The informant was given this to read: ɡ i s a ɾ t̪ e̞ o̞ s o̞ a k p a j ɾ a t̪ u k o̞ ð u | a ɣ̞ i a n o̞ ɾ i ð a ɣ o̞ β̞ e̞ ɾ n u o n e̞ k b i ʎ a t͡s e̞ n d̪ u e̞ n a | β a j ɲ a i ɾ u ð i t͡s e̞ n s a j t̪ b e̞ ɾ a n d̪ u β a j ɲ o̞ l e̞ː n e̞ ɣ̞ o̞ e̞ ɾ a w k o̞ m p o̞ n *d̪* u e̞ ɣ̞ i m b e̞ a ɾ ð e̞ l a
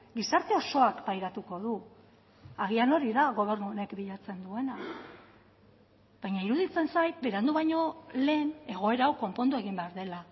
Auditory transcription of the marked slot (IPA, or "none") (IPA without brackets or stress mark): d̪